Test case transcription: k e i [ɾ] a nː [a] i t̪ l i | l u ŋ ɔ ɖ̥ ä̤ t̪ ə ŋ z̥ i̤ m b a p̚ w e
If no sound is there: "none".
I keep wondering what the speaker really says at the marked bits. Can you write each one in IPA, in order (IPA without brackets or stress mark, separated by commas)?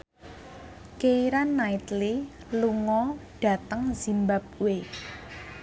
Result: ɾ, a